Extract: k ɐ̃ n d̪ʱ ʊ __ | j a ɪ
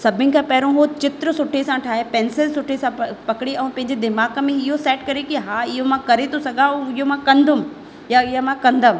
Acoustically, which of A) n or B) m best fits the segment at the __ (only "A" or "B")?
B